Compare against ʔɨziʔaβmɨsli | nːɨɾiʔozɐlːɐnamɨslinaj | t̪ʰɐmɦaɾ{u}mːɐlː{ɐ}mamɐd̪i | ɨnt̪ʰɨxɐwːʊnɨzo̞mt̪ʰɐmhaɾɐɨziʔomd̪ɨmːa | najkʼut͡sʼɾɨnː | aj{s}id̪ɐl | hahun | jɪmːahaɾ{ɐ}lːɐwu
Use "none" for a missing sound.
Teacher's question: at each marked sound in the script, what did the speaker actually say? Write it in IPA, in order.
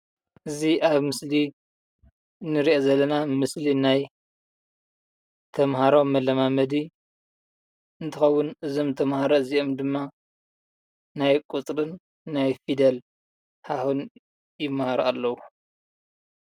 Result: o, ɐ, f, a

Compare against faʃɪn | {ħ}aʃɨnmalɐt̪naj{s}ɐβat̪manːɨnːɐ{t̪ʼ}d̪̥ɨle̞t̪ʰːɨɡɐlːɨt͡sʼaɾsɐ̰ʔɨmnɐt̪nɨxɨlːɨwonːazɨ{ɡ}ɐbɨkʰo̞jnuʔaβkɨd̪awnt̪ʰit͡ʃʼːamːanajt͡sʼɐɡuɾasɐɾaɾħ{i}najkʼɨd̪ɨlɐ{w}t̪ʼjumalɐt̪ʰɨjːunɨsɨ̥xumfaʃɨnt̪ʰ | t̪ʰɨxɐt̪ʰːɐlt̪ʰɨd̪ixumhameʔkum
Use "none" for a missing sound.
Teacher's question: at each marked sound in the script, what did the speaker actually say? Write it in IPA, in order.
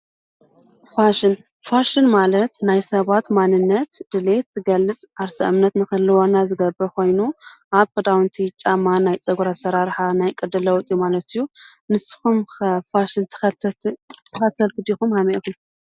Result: f, s, t̪, ɡ, a, w

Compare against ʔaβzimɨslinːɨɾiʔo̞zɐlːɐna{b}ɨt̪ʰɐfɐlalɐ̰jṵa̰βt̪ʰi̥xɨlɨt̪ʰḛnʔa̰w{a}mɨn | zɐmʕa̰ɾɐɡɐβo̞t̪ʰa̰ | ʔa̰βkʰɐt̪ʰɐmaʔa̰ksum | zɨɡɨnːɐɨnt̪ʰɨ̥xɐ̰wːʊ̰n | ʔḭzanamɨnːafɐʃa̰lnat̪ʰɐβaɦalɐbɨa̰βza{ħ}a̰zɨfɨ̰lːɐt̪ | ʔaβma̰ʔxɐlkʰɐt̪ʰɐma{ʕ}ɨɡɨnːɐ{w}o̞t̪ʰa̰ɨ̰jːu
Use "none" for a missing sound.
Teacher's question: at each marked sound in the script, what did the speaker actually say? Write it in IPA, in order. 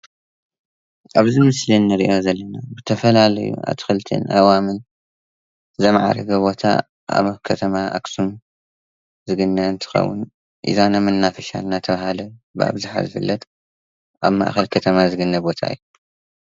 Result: b, a, ħ, z, b

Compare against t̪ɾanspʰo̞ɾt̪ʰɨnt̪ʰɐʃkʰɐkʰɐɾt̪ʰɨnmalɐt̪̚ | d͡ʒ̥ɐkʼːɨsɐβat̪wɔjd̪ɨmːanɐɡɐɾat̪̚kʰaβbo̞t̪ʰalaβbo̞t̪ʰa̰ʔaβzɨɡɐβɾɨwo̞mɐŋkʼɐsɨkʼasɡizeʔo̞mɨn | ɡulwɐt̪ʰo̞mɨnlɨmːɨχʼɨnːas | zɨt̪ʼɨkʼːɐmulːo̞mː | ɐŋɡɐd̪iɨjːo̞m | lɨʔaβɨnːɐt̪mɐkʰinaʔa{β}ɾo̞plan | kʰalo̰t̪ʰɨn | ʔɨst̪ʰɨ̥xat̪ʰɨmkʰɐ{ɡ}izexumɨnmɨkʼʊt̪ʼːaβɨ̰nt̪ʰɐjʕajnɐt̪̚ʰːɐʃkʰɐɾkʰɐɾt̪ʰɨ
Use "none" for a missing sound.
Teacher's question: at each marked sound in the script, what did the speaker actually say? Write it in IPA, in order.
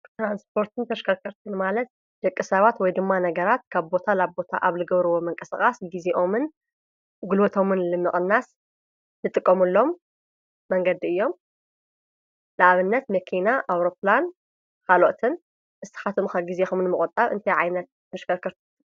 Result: w, ɡ

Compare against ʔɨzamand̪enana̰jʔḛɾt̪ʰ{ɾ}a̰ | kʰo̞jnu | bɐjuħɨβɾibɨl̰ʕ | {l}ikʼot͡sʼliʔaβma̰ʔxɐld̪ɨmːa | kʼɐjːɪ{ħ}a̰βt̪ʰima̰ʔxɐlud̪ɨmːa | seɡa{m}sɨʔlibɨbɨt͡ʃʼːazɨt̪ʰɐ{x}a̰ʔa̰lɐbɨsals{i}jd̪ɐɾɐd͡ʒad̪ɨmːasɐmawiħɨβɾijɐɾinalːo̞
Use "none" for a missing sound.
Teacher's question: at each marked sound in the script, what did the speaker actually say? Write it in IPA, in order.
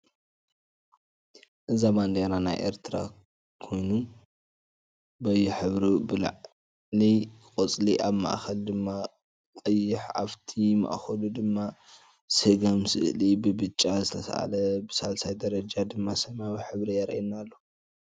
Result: ɾ, l, ħ, m, s, a

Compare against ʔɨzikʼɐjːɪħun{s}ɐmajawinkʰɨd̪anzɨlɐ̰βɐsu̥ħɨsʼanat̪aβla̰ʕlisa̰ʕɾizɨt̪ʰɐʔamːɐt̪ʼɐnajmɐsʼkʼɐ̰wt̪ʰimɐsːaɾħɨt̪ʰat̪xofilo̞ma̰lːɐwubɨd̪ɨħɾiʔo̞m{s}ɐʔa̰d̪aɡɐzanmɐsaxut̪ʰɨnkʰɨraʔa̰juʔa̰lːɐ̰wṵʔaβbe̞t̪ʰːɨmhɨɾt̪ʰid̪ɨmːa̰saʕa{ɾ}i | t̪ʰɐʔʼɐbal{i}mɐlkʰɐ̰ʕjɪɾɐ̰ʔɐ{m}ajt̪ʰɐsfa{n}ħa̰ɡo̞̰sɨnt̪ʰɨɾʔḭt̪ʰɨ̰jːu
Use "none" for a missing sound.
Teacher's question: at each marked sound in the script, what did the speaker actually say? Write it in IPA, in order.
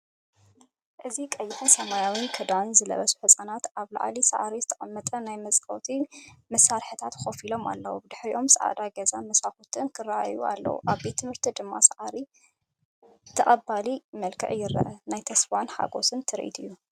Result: s, s, ɾ, i, n, n

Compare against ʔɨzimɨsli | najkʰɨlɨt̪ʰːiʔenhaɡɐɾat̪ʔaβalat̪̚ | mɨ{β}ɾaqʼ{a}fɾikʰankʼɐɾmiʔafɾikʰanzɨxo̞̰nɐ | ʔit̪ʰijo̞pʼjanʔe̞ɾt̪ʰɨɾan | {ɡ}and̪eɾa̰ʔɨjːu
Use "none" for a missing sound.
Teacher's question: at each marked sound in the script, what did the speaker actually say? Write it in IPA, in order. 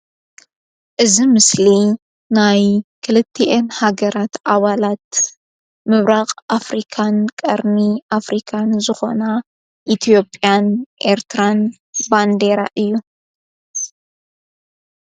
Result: β, a, b

